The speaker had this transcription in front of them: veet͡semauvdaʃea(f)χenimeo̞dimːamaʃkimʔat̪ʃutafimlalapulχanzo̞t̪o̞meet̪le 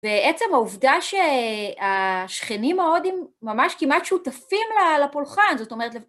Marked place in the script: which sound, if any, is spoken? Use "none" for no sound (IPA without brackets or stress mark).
ʃ